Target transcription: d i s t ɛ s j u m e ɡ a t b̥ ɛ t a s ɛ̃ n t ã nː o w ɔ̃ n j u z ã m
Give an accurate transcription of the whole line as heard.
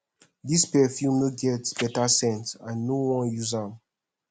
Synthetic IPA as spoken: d i s p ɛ f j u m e ɡ ɛ t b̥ ɛ t a s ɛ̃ n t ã nː o w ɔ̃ n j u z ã m